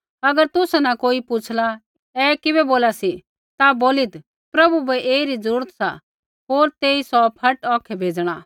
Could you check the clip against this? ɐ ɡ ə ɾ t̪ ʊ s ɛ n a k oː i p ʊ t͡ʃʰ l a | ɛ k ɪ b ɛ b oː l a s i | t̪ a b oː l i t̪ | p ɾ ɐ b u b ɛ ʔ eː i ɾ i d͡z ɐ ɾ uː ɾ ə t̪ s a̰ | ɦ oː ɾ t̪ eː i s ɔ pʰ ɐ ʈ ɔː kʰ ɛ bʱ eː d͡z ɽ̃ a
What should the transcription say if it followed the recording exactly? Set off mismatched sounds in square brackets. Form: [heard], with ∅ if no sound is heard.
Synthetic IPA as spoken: ɐ ɡ ə ɾ t̪ ʊ s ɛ n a k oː i p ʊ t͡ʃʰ l a | ɛ k ɪ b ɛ b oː l a s i | t̪ a b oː l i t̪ | p ɾ ɐ b u b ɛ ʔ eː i ɾ i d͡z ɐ ɾ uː ɾ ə t̪ s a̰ | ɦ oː ɾ t̪ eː i s ɔ pʰ ɐ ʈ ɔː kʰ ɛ bʱ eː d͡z ɽ̃ a